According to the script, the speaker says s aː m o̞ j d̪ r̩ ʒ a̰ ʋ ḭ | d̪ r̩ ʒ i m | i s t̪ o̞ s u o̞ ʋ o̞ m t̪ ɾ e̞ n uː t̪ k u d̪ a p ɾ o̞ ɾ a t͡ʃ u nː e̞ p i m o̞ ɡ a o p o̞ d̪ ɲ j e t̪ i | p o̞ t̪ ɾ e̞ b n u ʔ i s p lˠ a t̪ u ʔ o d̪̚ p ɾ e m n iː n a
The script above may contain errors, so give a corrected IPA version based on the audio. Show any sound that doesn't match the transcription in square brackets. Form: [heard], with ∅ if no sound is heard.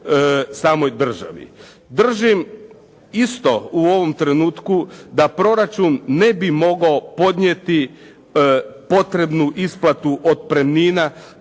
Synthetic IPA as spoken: s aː m o̞ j d̪ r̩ ʒ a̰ ʋ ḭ | d̪ r̩ ʒ i m | i s t̪ o̞ [∅] u o̞ ʋ o̞ m t̪ ɾ e̞ n uː t̪ k u d̪ a p ɾ o̞ ɾ a t͡ʃ u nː e̞ [b] i m o̞ ɡ a o p o̞ d̪ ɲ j e t̪ i | p o̞ t̪ ɾ e̞ b n u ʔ i s p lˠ a t̪ u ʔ o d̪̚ p ɾ e m n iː n a